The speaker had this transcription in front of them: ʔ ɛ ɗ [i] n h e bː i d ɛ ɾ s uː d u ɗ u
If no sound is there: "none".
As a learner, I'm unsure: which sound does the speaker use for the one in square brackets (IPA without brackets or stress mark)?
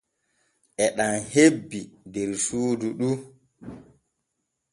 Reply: a